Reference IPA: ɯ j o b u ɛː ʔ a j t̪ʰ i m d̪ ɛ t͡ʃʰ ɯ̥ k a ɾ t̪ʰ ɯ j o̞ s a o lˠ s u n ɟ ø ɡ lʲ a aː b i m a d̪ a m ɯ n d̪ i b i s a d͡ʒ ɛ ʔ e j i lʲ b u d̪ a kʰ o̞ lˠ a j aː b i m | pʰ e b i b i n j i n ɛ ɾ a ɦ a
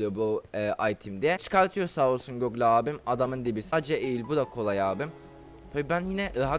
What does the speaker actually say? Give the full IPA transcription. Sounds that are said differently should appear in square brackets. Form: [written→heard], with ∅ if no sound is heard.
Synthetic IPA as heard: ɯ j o b u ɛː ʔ a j t̪ʰ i m d̪ ɛ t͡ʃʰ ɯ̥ k a ɾ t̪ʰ ɯ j o̞ s a o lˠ s u n ɟ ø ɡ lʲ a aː b i m a d̪ a m ɯ n d̪ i b i s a d͡ʒ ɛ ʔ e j i lʲ b u d̪ a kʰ o̞ lˠ a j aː b i m | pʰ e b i b [i→æ] n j i n ɛ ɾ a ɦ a